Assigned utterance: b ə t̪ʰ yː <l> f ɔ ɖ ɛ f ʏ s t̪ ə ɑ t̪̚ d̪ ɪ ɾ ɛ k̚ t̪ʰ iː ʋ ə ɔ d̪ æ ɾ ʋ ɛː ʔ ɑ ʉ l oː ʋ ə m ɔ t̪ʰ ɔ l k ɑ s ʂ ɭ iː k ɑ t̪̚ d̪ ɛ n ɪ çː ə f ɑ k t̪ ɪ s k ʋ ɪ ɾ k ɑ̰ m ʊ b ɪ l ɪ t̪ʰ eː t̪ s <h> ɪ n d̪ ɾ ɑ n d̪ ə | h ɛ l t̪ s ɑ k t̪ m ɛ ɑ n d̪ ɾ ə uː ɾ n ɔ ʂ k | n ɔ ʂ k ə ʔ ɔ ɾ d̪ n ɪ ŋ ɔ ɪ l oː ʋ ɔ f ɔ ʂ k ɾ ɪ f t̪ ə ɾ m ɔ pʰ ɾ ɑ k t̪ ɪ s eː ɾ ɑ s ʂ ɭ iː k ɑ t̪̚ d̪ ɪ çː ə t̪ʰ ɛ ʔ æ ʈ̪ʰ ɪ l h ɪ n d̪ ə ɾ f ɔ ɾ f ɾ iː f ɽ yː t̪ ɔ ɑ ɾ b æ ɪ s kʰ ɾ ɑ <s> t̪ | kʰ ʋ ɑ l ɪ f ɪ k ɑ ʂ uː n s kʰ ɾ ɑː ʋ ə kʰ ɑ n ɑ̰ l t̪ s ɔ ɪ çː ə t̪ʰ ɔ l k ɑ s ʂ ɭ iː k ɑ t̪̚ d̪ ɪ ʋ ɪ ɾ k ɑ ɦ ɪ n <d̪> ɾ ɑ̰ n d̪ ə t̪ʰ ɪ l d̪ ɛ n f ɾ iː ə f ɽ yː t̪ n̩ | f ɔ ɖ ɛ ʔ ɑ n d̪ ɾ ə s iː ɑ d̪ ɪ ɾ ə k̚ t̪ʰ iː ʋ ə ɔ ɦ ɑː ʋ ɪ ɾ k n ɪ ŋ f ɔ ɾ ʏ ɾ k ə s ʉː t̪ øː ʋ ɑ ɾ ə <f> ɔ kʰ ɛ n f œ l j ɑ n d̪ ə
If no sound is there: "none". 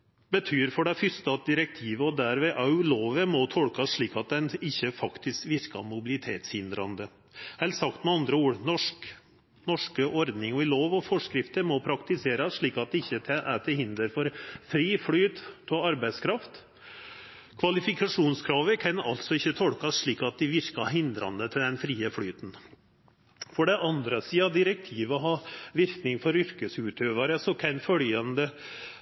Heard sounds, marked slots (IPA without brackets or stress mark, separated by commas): ɾ, h, f, d̪, s